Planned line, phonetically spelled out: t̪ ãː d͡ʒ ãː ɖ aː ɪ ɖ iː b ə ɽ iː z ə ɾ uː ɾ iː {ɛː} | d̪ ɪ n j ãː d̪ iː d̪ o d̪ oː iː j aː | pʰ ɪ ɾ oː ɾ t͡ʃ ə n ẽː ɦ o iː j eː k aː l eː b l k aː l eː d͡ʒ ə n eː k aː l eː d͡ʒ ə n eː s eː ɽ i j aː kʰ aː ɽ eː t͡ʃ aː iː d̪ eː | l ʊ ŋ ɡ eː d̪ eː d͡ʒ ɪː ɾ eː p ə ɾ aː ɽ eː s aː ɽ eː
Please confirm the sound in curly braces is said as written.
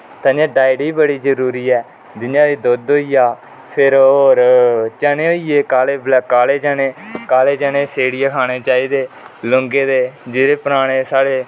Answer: yes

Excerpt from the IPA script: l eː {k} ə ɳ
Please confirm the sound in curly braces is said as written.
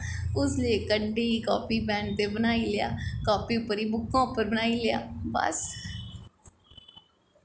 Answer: yes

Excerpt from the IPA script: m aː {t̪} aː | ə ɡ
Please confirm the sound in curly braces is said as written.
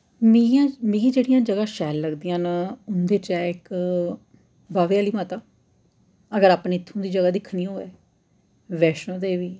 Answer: yes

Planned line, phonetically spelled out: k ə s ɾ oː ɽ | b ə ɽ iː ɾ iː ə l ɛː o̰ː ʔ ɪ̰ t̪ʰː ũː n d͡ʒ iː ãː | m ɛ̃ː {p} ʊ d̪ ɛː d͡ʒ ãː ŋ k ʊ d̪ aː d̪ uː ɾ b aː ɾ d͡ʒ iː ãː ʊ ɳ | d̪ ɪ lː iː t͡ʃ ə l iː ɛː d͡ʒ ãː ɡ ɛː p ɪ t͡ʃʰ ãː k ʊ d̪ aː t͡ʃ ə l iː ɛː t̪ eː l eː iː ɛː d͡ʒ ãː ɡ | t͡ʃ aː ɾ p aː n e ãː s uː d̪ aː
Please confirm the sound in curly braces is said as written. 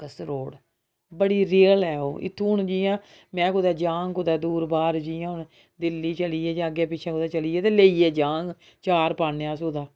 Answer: no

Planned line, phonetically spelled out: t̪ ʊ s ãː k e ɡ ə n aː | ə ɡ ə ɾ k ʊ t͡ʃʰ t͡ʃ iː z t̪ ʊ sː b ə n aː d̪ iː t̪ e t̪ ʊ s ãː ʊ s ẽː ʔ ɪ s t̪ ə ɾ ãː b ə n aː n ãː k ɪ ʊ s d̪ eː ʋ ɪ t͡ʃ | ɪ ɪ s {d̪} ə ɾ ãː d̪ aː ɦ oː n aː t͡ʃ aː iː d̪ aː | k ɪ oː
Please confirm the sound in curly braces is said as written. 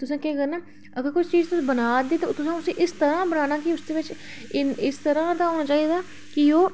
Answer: no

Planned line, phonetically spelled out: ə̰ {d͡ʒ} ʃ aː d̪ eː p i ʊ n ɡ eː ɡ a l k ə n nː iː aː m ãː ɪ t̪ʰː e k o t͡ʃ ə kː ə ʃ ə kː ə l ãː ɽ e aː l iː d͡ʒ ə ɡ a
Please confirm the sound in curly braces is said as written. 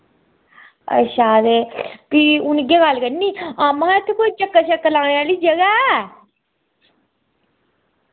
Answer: no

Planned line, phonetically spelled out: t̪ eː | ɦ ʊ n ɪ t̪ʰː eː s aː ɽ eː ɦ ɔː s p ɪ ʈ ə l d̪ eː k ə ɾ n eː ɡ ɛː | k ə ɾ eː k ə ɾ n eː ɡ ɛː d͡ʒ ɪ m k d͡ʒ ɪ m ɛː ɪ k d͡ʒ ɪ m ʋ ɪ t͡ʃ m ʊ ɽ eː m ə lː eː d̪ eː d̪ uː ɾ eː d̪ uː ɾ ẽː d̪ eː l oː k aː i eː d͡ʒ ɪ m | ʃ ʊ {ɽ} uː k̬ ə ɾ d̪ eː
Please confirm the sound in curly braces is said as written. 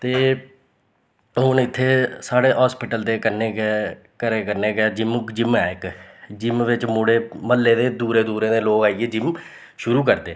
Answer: no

